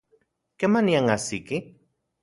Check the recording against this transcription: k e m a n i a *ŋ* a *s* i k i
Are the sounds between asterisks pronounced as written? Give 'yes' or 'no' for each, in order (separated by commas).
yes, yes